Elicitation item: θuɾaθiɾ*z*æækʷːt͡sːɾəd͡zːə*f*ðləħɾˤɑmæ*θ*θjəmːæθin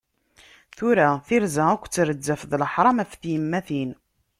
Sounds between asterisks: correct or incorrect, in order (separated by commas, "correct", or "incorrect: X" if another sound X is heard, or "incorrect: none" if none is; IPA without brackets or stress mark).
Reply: correct, correct, incorrect: f